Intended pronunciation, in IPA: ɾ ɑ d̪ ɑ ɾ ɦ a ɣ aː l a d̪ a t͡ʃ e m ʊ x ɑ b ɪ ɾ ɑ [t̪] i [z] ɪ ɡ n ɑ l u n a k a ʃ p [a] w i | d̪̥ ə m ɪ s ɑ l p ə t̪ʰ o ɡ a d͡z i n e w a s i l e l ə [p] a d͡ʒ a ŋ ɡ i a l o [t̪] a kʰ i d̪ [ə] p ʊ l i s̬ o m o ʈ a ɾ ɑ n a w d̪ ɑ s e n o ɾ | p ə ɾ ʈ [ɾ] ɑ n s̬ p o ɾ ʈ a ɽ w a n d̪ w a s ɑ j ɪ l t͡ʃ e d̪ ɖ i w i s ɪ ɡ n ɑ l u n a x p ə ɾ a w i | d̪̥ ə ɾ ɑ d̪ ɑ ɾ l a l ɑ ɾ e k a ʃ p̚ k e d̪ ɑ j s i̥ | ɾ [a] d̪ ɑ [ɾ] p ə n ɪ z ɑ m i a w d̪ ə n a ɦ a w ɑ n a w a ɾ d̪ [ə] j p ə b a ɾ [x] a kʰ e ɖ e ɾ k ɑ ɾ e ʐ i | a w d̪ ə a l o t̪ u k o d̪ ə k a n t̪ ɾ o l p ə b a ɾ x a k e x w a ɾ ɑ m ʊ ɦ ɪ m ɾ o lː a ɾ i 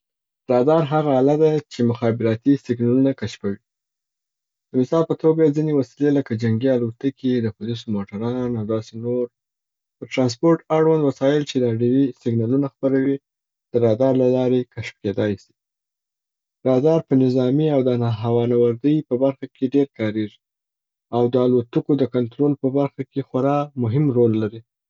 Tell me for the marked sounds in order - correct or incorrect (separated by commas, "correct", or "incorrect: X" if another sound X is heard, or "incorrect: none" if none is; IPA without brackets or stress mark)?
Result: correct, incorrect: s, correct, incorrect: k, correct, correct, correct, incorrect: ɑ, correct, correct, correct